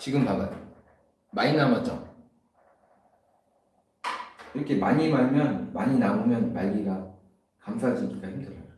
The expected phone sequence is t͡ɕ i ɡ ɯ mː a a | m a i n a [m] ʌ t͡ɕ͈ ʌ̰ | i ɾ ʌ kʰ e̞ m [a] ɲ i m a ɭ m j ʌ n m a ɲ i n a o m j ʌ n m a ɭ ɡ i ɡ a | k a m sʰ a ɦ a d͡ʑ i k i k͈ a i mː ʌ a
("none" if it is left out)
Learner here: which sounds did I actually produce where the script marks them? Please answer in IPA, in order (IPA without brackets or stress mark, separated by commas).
m, a